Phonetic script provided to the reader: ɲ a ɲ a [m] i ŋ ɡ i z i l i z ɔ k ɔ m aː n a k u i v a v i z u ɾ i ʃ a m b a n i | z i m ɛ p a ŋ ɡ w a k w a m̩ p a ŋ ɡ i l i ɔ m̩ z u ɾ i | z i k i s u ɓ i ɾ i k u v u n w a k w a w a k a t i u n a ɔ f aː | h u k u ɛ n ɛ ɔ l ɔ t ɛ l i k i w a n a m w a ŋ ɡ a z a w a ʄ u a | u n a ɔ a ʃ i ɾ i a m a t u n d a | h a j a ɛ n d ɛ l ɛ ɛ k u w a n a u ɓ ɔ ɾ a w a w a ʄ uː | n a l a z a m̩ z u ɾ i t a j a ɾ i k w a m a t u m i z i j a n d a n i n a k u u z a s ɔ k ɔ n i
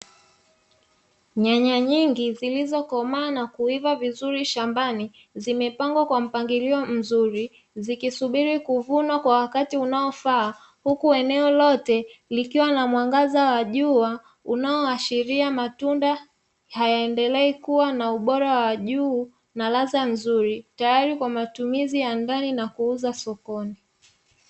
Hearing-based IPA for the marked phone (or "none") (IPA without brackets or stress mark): ɲ